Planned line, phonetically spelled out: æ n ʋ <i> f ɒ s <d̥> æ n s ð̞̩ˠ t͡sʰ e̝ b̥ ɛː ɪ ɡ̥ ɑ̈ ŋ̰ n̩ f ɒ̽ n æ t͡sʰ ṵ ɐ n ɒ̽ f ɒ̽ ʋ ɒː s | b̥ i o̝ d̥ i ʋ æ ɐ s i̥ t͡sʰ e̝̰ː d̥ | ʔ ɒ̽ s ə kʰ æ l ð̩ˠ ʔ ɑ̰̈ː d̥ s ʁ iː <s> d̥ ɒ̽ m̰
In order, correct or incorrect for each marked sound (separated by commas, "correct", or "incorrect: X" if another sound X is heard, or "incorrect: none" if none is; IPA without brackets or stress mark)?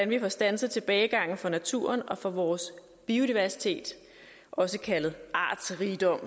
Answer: correct, correct, incorrect: none